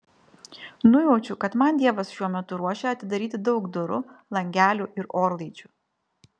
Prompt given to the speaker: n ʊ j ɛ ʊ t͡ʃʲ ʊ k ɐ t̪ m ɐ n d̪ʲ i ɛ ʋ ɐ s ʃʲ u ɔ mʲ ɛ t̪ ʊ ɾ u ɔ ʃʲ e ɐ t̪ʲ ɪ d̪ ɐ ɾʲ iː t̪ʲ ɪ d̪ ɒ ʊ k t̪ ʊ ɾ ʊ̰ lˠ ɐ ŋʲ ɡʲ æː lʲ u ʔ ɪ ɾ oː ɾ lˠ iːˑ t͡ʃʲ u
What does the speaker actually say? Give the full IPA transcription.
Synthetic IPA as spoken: n ʊ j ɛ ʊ t͡ʃʲ ʊ k ɐ t̪ m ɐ n d̪ʲ i ɛ ʋ ɐ s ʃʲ u ɔ mʲ ɛ t̪ ʊ ɾ u ɔ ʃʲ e ɐ t̪ʲ ɪ d̪ ɐ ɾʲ iː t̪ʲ ɪ d̪ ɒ ʊ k d̪ ʊ ɾ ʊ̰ lˠ ɐ ŋʲ ɡʲ æː lʲ u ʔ ɪ ɾ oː ɾ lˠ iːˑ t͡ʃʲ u